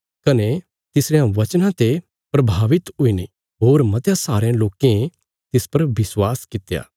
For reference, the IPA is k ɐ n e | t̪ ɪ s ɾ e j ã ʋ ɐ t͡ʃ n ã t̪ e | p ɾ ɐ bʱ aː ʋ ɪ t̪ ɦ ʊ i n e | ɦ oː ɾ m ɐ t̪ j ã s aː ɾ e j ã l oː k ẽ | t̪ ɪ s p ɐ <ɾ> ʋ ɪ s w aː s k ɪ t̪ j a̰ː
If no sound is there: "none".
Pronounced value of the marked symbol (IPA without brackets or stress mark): ɾ